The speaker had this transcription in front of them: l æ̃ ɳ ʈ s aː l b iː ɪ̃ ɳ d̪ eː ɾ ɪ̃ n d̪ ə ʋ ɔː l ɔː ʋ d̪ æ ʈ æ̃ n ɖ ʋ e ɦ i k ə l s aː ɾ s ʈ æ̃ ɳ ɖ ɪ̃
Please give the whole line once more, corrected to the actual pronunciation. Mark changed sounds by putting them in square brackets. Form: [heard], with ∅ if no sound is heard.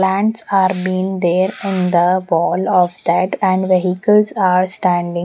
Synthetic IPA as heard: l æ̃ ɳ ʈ s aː [ɾ] b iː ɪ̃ [ŋ] d̪ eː ɾ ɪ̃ n d̪ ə ʋ ɔː l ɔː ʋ d̪ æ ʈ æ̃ [ɳ] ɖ ʋ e ɦ i k ə l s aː ɾ s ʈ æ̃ ɳ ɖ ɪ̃